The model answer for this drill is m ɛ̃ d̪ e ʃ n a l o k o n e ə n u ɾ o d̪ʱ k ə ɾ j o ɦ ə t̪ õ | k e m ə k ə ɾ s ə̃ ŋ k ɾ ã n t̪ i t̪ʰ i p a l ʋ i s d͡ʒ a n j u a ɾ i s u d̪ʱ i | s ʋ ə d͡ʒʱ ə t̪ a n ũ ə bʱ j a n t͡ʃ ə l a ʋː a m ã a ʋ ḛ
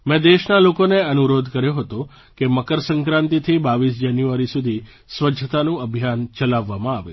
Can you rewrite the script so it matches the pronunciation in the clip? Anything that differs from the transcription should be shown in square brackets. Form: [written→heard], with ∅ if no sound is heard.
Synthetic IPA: m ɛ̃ d̪ e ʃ n a l o k o n e ə n u ɾ o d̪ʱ k ə ɾ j o ɦ ə t̪ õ | k e m ə k ə ɾ s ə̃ ŋ k ɾ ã n t̪ i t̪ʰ i [p→b] a [l→∅] ʋ i s d͡ʒ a n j u a ɾ i s u d̪ʱ i | s ʋ ə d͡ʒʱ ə t̪ a n ũ ə bʱ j a n t͡ʃ ə l a ʋː a m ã a ʋ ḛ

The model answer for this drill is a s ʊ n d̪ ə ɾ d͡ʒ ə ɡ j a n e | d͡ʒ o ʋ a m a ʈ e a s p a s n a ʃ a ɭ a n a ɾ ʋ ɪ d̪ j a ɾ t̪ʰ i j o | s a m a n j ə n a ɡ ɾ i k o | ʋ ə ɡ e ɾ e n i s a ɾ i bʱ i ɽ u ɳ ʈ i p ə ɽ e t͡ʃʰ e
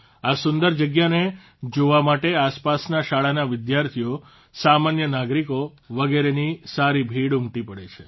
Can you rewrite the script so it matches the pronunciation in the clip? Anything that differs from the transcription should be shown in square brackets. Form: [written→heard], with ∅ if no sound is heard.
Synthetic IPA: a s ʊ n d̪ ə ɾ d͡ʒ ə ɡ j a n e | d͡ʒ o ʋ a m a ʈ e a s p a s n a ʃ a ɭ a n a [ɾ→∅] ʋ ɪ d̪ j a ɾ t̪ʰ i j o | s a m a n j ə n a ɡ ɾ i k o | ʋ ə ɡ e ɾ e n i s a ɾ i bʱ i ɽ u [ɳ→m] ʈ i p ə ɽ e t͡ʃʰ e

